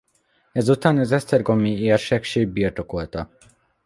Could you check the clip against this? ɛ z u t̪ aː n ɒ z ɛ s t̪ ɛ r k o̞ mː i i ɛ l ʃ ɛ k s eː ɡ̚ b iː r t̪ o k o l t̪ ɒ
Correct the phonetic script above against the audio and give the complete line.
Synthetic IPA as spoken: ɛ z u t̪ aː n ɒ z ɛ s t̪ ɛ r ɡ o̞ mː i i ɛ r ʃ ɛ k ʃ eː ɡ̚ b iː r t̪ o k o l t̪ ɒ